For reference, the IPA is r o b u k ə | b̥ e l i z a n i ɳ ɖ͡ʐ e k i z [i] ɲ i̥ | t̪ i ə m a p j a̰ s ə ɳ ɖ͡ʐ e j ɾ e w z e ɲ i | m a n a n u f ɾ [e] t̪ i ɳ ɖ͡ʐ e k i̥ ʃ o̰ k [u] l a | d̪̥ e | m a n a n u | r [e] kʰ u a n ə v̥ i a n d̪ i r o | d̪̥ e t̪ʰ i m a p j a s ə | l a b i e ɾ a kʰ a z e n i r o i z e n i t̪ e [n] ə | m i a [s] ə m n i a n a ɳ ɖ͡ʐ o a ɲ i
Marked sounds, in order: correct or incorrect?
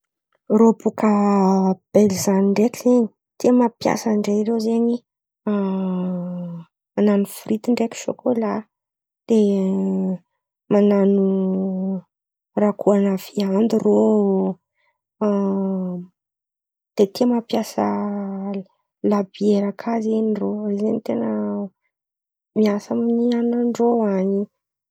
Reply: incorrect: e, incorrect: i, incorrect: o, incorrect: a, correct, correct

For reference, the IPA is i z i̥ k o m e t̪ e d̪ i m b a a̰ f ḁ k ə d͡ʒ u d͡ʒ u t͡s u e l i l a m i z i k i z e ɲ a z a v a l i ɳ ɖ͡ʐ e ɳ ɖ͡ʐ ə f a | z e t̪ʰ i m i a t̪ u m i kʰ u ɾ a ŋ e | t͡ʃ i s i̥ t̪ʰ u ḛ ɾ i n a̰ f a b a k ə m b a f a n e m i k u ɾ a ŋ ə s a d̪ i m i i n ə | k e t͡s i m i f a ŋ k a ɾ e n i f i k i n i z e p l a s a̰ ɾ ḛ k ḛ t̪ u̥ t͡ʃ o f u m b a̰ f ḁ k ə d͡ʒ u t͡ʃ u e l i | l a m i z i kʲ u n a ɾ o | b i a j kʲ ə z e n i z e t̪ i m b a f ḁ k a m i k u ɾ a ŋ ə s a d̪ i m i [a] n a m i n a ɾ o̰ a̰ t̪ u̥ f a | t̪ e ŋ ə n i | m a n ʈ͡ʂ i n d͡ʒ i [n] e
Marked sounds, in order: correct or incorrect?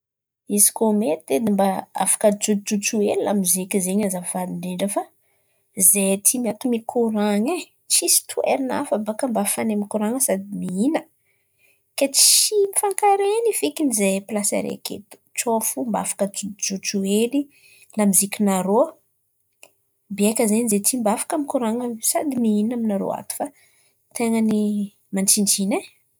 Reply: incorrect: i, correct

